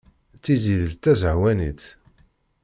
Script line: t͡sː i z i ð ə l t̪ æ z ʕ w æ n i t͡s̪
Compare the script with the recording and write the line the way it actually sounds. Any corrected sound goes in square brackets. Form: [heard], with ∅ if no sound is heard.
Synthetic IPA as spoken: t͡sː i z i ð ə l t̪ æ z ʕ w æ n i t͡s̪